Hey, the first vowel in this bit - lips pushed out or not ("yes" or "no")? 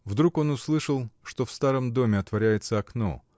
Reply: yes